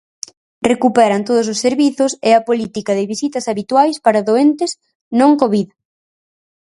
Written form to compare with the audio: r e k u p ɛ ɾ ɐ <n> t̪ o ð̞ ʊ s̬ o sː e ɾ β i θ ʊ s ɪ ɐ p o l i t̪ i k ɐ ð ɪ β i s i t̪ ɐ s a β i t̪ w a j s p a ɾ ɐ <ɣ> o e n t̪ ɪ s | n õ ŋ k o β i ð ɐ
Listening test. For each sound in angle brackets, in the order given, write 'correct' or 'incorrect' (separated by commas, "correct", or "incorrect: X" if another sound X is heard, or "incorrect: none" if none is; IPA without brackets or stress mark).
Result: correct, incorrect: ð